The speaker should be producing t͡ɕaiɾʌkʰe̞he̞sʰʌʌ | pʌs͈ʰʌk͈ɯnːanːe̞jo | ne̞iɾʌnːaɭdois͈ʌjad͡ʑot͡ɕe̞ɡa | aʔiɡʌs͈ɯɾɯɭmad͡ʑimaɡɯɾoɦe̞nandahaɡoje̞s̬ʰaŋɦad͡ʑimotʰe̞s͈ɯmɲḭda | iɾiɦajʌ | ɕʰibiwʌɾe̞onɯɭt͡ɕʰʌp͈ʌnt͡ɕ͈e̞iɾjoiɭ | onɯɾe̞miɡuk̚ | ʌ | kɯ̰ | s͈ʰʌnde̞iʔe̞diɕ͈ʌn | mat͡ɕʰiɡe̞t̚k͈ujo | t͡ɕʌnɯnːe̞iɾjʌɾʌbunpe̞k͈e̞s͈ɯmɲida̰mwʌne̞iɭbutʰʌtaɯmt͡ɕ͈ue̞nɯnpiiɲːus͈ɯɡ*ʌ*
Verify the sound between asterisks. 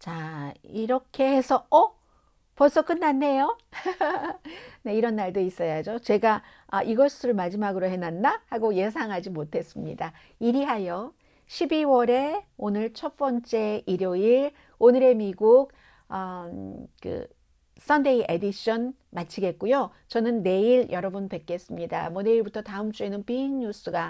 incorrect: a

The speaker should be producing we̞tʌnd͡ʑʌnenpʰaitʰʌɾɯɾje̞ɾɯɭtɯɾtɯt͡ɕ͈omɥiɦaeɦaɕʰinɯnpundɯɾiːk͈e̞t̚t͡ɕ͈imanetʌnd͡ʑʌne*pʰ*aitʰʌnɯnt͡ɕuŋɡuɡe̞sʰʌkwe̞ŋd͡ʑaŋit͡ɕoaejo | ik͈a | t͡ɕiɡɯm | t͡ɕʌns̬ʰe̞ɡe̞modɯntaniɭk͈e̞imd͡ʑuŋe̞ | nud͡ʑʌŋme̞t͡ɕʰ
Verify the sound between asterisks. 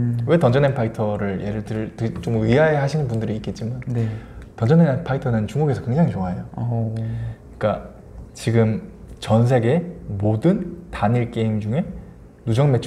correct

